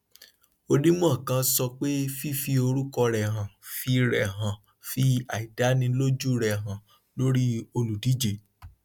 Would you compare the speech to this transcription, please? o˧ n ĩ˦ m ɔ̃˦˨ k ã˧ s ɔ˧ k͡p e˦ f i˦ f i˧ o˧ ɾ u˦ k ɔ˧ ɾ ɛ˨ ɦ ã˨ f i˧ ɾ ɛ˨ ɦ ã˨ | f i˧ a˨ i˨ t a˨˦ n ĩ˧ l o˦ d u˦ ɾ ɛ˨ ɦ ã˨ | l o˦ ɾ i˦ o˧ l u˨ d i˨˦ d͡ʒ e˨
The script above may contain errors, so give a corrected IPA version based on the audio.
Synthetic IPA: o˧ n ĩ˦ m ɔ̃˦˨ k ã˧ s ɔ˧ k͡p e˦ f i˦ f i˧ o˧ ɾ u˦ k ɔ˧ ɾ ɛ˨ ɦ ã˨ f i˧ ɾ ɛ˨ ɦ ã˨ | f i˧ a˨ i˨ d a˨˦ n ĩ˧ l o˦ d͡ʒ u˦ ɾ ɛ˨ ɦ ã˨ | l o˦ ɾ i˦ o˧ l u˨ d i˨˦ d͡ʒ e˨